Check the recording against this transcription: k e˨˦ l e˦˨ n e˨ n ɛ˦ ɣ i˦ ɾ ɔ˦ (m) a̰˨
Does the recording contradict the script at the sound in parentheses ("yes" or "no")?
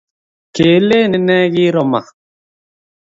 no